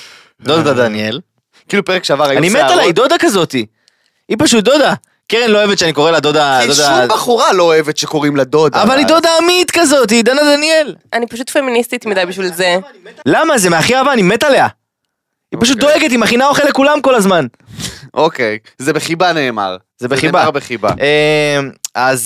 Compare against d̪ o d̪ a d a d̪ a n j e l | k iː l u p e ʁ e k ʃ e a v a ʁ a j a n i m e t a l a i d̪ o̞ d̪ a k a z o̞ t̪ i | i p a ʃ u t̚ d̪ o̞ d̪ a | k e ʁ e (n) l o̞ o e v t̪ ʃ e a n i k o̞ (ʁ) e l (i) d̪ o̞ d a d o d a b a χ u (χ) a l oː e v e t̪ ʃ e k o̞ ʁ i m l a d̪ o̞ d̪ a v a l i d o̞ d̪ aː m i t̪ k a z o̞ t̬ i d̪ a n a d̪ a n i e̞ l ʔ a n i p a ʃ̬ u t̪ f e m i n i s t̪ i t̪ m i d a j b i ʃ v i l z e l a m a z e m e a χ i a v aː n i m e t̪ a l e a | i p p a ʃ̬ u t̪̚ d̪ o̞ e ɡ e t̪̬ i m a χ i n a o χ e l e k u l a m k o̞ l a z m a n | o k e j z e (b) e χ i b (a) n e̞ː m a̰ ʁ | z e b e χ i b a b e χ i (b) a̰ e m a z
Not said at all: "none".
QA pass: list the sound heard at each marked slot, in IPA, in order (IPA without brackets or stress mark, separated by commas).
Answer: n, ʁ, a, ʁ, b, a, b